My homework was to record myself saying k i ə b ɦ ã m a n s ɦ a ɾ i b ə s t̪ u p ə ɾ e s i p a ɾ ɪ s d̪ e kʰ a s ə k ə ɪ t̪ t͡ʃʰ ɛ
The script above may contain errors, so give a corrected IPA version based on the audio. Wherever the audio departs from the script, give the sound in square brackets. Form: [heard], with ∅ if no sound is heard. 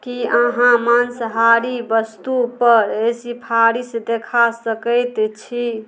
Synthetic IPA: k i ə [∅] ɦ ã m a n s ɦ a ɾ i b ə s t̪ u p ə ɾ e s i [pʰ] a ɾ [i] s d̪ e kʰ a s ə k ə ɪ t̪ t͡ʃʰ [i]